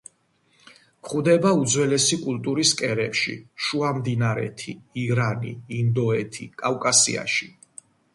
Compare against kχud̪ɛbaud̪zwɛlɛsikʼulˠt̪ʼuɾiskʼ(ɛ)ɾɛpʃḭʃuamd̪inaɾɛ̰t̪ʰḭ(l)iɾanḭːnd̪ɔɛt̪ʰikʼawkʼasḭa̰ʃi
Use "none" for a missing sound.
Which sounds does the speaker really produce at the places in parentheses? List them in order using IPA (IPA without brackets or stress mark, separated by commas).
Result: ɛ, none